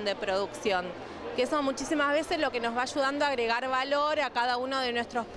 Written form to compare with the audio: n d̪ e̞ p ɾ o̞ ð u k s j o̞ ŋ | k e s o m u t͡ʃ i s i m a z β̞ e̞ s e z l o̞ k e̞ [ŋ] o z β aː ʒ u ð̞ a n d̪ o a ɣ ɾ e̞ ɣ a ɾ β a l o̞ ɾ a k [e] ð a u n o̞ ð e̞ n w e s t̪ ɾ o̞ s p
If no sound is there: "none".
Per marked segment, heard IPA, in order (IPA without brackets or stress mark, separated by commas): n, a